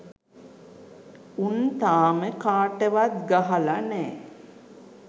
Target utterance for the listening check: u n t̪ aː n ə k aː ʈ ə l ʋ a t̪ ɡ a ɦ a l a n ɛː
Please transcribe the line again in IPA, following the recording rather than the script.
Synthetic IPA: u n t̪ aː m ə k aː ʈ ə ʋ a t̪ ɡ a ɦ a l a n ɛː